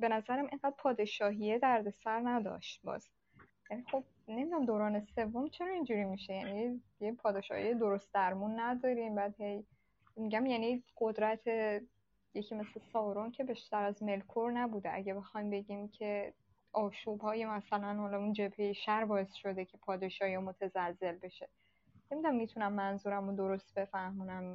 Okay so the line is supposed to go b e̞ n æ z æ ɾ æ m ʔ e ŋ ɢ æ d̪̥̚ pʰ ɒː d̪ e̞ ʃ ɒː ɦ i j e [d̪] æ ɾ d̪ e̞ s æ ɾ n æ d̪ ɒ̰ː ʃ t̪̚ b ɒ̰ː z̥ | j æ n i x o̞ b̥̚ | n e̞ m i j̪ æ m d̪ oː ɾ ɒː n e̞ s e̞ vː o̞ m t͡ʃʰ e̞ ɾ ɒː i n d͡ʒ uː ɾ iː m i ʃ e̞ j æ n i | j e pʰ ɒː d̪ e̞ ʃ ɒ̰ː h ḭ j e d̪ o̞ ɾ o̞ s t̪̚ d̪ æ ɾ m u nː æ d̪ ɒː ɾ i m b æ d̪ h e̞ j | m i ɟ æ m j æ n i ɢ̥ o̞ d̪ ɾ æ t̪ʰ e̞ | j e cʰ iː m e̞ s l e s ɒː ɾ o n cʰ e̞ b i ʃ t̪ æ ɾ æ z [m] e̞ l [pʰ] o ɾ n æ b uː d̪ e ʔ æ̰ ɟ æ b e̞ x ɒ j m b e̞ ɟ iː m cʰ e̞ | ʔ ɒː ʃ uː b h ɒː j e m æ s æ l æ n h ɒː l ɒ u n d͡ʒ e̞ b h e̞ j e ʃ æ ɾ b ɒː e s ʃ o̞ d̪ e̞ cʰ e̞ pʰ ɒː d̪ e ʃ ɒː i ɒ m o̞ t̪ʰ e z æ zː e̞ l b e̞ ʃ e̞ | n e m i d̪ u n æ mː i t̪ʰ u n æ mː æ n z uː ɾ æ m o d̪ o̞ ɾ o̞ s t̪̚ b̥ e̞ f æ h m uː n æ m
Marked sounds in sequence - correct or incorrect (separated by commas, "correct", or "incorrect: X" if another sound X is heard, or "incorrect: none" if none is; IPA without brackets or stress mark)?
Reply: correct, correct, incorrect: kʰ